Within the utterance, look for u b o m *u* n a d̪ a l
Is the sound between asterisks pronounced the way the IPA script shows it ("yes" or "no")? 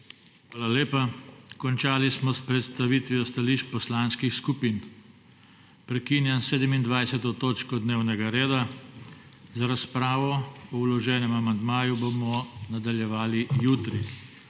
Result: no